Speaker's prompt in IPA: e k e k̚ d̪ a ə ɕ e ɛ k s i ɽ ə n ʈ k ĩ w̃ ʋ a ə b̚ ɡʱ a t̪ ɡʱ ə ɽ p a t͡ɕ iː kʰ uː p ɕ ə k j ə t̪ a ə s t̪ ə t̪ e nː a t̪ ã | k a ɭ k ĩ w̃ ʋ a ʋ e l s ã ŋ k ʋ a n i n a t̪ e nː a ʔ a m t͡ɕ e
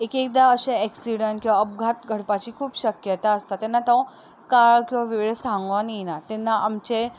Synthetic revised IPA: e k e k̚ d̪ a ə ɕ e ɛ k s i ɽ ə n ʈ k ĩ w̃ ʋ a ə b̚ ɡʱ a t̪ ɡʱ ə ɽ p a t͡ɕ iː kʰ uː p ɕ ə k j ə t̪ a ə s t̪ a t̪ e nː a t̪ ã | k a ɭ k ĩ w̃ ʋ a ʋ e ɭ s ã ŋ ɡ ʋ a n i n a t̪ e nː a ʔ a m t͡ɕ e

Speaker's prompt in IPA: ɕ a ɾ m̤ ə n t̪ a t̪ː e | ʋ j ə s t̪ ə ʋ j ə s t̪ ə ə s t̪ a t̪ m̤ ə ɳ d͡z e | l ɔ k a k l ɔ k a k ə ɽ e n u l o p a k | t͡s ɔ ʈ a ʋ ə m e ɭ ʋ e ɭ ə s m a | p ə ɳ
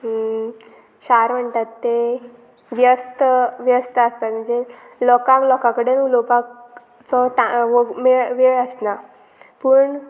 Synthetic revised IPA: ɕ a ɾ m̤ ə ɳ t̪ a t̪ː e | ʋ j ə s t̪ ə ʋ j ə s t̪ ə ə s t̪ a t̪ m̤ ə ɳ d͡z e | l ɔ k a k l ɔ k a k ə ɽ e n u l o p a k | t͡s ɔ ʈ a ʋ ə m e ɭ ʋ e ɭ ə s n a | p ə ɳ

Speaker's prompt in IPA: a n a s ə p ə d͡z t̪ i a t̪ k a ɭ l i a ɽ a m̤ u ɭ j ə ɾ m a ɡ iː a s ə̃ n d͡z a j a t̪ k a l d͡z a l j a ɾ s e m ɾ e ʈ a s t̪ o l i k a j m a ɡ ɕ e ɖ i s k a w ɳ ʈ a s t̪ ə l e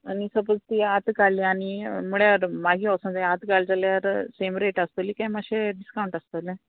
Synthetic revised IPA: a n i s ə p ə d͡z t̪ i a t̪ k a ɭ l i a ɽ i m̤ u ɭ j a ɾ m a ɡ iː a s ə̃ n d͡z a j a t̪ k a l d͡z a l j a ɾ s e m ɾ e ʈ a s t̪ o l i k a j m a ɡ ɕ e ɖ i s k a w ɳ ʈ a s t̪ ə l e

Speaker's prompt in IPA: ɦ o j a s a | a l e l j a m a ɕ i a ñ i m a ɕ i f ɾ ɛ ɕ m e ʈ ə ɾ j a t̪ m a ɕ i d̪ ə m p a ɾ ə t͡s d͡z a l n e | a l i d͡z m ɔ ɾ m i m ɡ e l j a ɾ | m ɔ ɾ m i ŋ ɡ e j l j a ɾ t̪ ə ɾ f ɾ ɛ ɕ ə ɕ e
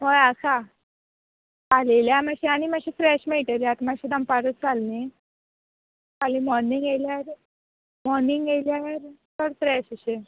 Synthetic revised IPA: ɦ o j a s a | a l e l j a m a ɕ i a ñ i m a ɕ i f ɾ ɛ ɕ m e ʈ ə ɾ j a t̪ m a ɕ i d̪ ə m p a ɾ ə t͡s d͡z a l n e | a l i m ɔ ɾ n i ŋ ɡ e l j a ɾ | m ɔ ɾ n i ŋ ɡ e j l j a ɾ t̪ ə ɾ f ɾ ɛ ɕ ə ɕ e

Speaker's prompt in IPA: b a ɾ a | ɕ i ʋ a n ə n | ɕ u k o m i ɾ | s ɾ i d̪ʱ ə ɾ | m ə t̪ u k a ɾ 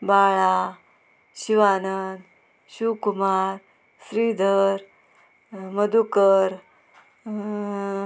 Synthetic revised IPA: b a ɭ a | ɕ i ʋ a n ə n | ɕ u k u m a ɾ | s ɾ i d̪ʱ ə ɾ | m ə d̪ u k ə ɾ

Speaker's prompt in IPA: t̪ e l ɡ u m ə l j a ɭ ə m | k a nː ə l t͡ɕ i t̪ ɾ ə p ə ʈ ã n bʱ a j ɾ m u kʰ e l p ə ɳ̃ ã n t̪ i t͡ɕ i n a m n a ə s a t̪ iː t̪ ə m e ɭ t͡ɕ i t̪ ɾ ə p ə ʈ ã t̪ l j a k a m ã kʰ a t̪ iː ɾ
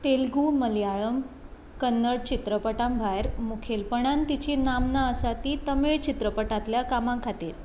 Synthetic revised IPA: t̪ e l ɡ u m ə l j a ɭ ə m | k ə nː ə ɽ t͡ɕ i t̪ ɾ ə p ə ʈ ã m bʱ a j ɾ m u kʰ e l p ə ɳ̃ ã n t̪ i t͡ɕ i n a m n a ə s a t̪ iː t̪ ə m e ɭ t͡ɕ i t̪ ɾ ə p ə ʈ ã t̪ l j a k a m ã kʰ a t̪ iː ɾ

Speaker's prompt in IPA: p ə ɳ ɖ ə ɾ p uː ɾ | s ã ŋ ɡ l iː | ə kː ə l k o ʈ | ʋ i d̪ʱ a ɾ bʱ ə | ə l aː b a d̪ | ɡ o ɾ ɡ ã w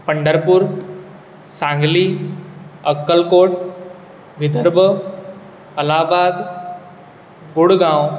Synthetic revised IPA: p ə ɳ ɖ ə ɾ p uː ɾ | s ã ŋ ɡ l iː | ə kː ə l k o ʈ | ʋ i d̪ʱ ə ɾ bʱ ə | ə l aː b a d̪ | ɡ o ɽ ɡ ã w

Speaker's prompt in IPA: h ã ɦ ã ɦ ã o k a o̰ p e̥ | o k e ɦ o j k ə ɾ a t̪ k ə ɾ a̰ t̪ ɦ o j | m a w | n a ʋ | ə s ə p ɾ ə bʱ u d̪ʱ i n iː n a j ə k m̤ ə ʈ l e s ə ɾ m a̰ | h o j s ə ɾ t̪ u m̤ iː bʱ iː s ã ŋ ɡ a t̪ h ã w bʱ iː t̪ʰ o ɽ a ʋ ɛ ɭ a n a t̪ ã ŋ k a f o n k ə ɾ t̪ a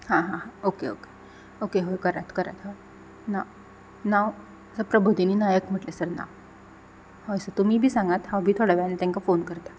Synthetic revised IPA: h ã ɦ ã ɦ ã o k e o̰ k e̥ | o k e ɦ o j k ə ɾ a t̪ k ə ɾ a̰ t̪ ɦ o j | n a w | n a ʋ | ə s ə p ɾ ə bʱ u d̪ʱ i n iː n a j ə k m̤ ə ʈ l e s ə ɾ n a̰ | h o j s ə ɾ t̪ u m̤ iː bʱ iː s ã ŋ ɡ a t̪ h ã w bʱ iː t̪ʰ o ɽ a ʋ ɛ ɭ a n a t̪ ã ŋ k a f o n k ə ɾ t̪ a

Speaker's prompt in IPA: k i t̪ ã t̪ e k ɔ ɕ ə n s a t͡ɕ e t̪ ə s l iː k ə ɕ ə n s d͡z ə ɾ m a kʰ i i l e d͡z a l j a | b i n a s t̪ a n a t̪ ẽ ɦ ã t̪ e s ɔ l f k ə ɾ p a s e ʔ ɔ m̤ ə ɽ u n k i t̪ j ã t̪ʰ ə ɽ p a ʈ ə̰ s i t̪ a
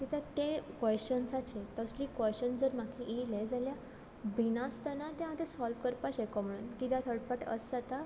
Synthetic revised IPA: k i t̪ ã t̪ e k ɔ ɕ ə n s a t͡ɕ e t̪ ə s l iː k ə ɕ ə n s d͡z ə ɾ m a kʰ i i l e d͡z a l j a | b i n a s t̪ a n a t̪ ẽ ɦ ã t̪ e s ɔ l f k ə ɾ p a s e k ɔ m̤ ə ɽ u n k i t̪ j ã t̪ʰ ə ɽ p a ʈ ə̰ s a t̪ a

